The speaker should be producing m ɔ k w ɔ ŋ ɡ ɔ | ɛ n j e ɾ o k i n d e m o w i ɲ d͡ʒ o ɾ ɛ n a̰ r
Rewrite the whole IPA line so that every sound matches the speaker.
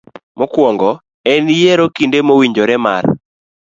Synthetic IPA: m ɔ k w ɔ ŋ ɡ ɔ | ɛ n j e ɾ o k i n d e m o w i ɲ d͡ʒ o ɾ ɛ m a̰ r